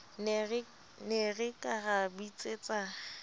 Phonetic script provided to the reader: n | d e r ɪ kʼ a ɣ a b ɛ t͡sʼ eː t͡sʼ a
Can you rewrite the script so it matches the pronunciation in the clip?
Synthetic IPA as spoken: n | n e r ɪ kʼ a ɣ a b i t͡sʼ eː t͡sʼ a